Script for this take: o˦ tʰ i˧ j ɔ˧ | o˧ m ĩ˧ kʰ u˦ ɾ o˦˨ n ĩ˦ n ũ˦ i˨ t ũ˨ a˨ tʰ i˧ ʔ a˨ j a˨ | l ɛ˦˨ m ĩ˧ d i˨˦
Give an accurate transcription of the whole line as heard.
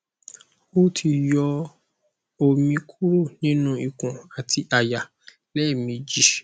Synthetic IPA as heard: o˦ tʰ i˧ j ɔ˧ | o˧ m ĩ˧ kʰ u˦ ɾ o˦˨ n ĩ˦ n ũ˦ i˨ k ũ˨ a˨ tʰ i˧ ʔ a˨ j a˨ | l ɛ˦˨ m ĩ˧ d͡ʒ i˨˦